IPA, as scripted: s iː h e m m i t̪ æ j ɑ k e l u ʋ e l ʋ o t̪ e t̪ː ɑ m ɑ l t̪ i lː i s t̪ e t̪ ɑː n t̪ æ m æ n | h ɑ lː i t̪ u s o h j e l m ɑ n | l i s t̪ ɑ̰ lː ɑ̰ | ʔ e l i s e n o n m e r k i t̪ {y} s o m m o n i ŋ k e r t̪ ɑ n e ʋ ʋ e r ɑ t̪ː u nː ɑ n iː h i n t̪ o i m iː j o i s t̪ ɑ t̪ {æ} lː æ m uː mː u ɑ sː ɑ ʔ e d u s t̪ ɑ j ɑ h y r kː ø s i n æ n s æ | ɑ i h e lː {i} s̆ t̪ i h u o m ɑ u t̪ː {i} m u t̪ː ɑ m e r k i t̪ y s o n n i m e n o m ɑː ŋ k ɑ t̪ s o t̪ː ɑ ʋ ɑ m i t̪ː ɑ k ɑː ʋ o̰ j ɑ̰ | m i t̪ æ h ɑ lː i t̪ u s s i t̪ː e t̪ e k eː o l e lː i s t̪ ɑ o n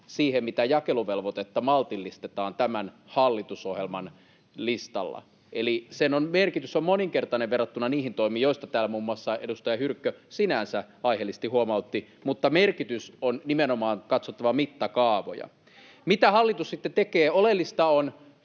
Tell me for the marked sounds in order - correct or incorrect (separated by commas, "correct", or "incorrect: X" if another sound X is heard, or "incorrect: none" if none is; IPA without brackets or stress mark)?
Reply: correct, incorrect: æː, correct, correct